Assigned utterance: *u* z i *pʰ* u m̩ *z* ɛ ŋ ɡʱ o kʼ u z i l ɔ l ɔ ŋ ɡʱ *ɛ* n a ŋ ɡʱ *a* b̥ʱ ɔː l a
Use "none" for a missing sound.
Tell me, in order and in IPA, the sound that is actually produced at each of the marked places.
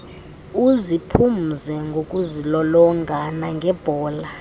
u, pʰ, z, a, ɛ

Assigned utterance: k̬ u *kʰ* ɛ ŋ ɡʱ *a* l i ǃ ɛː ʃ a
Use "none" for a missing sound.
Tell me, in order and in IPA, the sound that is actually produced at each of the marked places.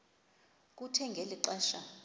tʰ, e

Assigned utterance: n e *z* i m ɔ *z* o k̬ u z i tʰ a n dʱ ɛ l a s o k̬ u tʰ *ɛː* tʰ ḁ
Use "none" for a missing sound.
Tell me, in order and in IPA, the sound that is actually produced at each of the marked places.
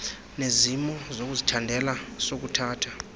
z, z, aː

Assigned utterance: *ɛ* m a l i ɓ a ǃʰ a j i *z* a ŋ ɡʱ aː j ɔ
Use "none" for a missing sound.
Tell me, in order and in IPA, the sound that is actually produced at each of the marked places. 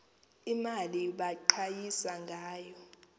i, s

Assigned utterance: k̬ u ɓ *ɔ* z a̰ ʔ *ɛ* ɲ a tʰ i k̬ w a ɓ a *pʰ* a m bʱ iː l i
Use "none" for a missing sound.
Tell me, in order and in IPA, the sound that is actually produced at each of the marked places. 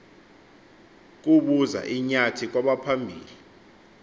u, i, pʰ

